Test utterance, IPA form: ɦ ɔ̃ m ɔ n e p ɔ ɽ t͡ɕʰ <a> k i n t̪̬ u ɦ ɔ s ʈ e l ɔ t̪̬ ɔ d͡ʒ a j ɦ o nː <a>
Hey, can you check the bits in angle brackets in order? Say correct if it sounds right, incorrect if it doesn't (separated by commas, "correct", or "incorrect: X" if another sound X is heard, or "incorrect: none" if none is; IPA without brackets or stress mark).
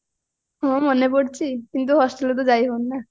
incorrect: i, correct